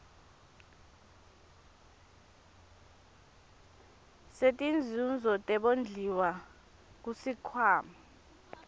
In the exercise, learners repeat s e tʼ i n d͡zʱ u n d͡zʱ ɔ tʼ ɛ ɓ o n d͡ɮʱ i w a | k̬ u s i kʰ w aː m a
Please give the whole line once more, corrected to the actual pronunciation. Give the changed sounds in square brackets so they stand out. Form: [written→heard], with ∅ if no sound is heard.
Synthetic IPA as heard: s e tʼ i n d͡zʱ u n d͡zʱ ɔ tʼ ɛ ɓ o n d͡ɮʱ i w a | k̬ u s i kʰ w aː m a